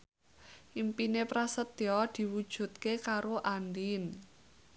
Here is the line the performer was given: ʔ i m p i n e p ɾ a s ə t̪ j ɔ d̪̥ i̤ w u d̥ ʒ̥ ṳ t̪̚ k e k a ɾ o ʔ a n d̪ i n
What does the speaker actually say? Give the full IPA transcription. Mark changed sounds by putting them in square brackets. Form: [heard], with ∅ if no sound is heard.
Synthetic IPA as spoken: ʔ i m p i n e p ɾ a s ə t̪ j ɔ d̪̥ i̤ w u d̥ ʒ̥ ṳ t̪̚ k e k a ɾ o ʔ a n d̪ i n

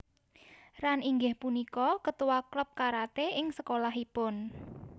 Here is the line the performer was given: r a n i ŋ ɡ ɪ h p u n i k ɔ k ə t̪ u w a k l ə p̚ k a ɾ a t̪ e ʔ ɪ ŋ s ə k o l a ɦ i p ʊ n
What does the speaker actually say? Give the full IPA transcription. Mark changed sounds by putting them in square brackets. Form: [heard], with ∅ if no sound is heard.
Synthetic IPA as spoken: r a n i ŋ ɡ ɪ h p u n i k ɔ k ə t̪ u w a k l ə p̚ k a ɾ a t̪ e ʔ ɪ ŋ s ə k o l a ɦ i p ʊ n

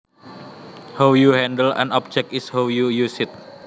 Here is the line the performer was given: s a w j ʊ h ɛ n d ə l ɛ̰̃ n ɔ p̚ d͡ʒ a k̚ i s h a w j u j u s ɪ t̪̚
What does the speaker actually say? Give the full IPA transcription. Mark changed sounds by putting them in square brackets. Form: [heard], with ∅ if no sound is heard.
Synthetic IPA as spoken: [h] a w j [u] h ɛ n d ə l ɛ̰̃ n ɔ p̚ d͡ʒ [ɛ] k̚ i s h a w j u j u s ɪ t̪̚

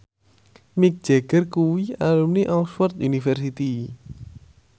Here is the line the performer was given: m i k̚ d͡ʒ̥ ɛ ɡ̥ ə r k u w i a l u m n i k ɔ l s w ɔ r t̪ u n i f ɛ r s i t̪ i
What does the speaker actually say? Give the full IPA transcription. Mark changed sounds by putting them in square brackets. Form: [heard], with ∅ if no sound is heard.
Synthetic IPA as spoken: m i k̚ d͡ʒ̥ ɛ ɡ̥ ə r k u w i a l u m n i [ʔ] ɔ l s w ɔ r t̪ u n i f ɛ r s i t̪ i

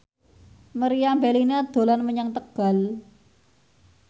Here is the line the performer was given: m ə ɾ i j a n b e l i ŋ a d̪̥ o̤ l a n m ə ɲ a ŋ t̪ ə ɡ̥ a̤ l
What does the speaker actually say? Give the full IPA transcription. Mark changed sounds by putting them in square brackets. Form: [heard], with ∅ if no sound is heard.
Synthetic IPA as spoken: m ə ɾ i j a [m] b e l i [n] a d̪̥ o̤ l a n m ə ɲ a ŋ t̪ ə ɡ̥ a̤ l

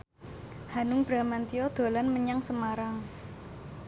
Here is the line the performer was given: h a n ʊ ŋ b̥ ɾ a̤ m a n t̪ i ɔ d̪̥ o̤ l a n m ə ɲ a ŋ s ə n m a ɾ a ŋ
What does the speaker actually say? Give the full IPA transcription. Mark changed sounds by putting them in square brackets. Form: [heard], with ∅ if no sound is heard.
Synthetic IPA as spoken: h a n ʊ ŋ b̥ ɾ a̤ m a n t̪ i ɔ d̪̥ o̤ l a n m ə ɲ a ŋ s ə [∅] m a ɾ a ŋ

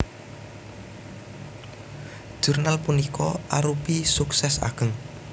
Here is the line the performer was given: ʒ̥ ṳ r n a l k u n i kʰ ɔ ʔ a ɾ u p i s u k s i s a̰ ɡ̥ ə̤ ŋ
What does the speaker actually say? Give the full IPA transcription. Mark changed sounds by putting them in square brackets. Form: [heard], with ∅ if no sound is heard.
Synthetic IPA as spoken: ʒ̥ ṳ r n a l [p] u n i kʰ ɔ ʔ a ɾ u p i s u k s [ɛ] s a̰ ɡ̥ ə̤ ŋ

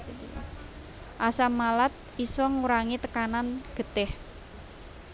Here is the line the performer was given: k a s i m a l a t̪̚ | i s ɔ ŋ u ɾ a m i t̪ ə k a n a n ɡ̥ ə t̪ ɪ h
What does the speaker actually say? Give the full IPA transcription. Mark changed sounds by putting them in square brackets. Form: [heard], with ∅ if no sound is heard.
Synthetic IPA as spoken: [ʔ] a s [a] m a l a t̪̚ | i s ɔ ŋ u ɾ a [ŋ] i t̪ ə k a n a n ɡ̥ ə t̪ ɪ h

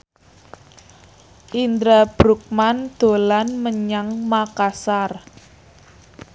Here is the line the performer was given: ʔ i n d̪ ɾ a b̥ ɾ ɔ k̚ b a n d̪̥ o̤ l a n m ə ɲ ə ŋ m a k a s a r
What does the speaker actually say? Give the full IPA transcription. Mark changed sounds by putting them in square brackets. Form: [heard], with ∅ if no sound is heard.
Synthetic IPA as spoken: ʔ i n d̪ ɾ a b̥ ɾ [u] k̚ [m] a n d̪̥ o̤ l a n m ə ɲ [a] ŋ m a k a s a r

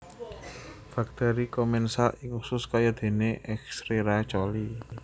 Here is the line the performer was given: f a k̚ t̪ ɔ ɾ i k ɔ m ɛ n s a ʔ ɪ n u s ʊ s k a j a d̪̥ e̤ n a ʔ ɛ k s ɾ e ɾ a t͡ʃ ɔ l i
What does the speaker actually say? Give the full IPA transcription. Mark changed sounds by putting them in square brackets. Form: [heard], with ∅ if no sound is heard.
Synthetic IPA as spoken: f a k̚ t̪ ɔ ɾ i k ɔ m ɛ n s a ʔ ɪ [ŋ] u s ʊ s k a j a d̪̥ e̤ n [e] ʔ ɛ k s ɾ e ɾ a t͡ʃ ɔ l i

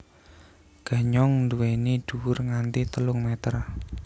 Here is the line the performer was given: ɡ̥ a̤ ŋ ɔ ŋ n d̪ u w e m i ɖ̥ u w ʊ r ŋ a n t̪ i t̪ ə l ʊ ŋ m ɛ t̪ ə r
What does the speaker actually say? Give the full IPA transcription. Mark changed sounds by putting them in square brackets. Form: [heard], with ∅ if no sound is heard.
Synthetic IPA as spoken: ɡ̥ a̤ [ɲ] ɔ ŋ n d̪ u w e [n] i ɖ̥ u w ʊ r ŋ a n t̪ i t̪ ə l ʊ ŋ m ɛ t̪ ə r

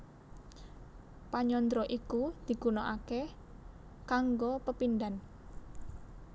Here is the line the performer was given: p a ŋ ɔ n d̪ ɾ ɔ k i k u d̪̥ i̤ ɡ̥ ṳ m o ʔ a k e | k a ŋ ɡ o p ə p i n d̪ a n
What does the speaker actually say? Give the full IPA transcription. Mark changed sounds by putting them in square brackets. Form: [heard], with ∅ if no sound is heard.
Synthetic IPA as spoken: p a [ɲ] ɔ n d̪ ɾ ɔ [ʔ] i k u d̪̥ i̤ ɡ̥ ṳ [n] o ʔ a k e | k a ŋ ɡ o p ə p i n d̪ a n

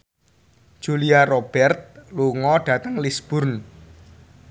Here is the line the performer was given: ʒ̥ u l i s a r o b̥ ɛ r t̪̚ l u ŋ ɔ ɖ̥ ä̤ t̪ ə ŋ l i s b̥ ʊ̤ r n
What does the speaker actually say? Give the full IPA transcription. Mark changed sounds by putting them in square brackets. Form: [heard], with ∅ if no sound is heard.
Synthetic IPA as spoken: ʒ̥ u l i [∅] a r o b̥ ɛ r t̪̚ l u ŋ ɔ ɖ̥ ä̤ t̪ ə ŋ l i s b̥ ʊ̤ r n

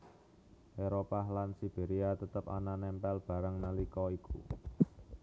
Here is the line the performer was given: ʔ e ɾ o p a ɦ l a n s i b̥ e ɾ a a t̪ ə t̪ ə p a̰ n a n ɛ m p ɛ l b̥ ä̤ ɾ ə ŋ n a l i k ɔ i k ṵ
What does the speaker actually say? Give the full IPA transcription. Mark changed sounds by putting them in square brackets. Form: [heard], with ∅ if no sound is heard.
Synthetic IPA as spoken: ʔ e ɾ o p a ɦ l a n s i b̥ e ɾ [i] a t̪ ə t̪ ə p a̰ n a n ɛ m p ɛ l b̥ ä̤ ɾ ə ŋ n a l i k ɔ i k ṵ

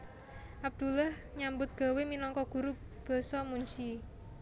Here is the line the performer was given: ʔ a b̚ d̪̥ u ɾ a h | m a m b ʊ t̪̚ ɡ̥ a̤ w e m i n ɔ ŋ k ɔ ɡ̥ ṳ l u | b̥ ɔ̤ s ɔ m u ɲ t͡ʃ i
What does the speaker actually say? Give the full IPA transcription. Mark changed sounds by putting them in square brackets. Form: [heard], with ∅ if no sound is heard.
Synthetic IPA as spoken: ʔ a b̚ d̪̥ u [l] a h | [ɲ] a m b ʊ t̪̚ ɡ̥ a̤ w e m i n ɔ ŋ k ɔ ɡ̥ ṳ [ɾ] u | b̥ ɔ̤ s ɔ m u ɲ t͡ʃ i

